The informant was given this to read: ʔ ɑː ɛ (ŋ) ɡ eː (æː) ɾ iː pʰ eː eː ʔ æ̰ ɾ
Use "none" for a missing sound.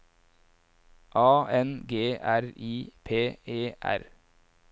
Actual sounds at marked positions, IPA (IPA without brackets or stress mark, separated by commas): n, æ